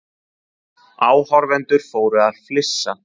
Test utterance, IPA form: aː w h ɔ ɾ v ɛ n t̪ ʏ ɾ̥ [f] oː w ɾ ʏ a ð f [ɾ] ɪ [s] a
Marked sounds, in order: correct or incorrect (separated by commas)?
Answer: correct, incorrect, incorrect